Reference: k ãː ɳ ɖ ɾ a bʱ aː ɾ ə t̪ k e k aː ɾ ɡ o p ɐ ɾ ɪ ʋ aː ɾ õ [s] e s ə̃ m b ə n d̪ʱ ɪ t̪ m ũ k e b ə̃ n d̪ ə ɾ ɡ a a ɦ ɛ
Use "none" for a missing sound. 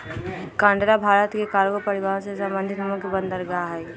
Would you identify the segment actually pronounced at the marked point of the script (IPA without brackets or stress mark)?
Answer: s